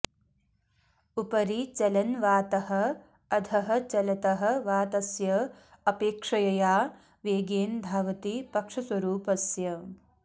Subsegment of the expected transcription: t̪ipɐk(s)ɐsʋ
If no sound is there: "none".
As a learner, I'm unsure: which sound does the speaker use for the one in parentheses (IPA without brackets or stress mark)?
ʂ